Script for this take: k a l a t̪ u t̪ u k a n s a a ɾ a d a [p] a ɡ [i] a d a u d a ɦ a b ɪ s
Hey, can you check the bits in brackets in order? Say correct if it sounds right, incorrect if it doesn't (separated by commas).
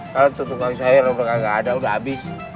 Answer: incorrect, incorrect